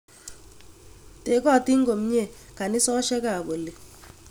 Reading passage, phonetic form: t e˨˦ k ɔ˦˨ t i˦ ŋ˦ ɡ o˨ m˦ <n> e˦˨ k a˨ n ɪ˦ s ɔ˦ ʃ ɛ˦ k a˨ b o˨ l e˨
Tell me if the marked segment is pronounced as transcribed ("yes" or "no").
no